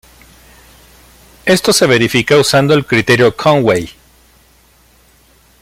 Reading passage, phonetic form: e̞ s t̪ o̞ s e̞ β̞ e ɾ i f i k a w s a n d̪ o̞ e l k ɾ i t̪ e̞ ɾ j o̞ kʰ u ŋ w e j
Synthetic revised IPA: e̞ s t̪ o̞ s e̞ β̞ e ɾ i f i k a u s a n d̪ o̞ e l k ɾ i t̪ e̞ ɾ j o̞ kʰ o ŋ w e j